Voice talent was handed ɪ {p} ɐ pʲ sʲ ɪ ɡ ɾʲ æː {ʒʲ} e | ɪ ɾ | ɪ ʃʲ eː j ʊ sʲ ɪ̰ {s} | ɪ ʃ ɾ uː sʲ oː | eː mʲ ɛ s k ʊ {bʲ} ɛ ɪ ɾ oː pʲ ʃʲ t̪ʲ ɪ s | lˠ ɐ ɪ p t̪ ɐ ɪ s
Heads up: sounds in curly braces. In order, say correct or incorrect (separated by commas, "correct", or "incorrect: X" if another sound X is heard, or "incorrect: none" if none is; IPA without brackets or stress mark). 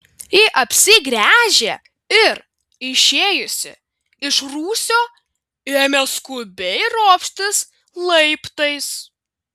incorrect: ʔ, correct, incorrect: none, correct